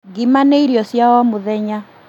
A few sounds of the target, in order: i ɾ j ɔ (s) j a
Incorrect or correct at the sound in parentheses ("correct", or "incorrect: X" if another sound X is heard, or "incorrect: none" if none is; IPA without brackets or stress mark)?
correct